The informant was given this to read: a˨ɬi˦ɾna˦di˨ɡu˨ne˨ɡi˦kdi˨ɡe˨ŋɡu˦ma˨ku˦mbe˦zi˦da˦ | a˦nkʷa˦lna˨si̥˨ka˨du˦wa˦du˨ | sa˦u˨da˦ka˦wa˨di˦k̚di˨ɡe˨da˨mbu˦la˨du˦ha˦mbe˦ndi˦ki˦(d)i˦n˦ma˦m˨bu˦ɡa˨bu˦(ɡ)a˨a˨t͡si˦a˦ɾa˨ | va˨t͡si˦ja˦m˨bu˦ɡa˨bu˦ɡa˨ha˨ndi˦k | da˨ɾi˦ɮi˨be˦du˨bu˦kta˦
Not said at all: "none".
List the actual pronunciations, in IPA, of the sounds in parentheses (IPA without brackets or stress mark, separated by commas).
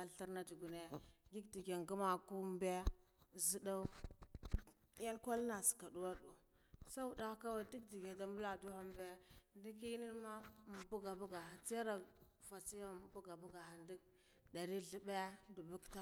n, ɡ